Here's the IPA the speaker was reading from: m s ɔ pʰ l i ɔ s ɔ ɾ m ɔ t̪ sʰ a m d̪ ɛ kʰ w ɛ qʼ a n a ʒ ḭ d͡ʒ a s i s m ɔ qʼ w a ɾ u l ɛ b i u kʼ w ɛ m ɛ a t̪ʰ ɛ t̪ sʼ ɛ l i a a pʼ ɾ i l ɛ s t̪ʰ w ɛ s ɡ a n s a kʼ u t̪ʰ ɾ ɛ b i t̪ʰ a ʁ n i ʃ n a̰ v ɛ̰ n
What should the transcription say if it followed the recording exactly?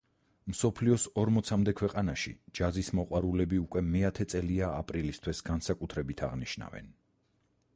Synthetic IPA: m s ɔ pʰ l i ɔ s ɔ ɾ m ɔ t̪ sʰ a m d̪ ɛ kʰ w ɛ qʼ a n a ʃ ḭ d͡ʒ a z i s m ɔ qʼ w a ɾ u l ɛ b i u kʼ w ɛ m ɛ a t̪ʰ ɛ t̪ sʼ ɛ l i a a pʼ ɾ i l i s t̪ʰ w ɛ s ɡ a n s a kʼ u t̪ʰ ɾ ɛ b i t̪ʰ a ʁ n i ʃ n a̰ v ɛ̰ n